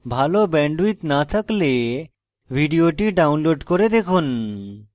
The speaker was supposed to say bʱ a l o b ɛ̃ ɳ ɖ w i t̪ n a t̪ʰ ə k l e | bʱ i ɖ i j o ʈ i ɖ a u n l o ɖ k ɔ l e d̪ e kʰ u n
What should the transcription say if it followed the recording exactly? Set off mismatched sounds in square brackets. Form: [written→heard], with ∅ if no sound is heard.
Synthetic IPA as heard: bʱ a l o b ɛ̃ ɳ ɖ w i t̪ n a t̪ʰ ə k l e | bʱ i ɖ i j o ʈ i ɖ a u n l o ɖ k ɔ [l→ɾ] e d̪ e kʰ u n